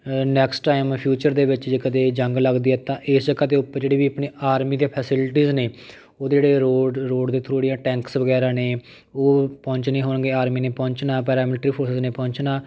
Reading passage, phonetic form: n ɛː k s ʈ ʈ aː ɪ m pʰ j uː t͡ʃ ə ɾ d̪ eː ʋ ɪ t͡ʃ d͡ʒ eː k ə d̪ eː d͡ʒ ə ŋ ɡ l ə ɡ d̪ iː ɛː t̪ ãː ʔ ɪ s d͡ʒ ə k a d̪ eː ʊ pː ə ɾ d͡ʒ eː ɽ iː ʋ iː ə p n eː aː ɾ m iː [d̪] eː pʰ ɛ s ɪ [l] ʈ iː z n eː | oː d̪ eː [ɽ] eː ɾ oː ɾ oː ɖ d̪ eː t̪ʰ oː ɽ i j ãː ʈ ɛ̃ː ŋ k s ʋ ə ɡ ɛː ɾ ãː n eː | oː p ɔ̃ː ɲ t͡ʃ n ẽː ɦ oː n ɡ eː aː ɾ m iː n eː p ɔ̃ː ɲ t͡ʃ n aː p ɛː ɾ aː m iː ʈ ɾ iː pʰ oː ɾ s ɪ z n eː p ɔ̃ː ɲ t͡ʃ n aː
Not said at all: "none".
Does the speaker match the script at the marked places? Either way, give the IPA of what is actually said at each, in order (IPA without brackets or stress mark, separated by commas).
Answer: d̪, l, ɽ